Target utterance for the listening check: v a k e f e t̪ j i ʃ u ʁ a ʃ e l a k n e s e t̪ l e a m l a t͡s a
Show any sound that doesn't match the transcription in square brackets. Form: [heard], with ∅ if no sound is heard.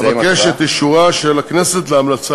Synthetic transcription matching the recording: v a k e [ʃ] e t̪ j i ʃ u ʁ a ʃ e l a k n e s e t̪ l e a m l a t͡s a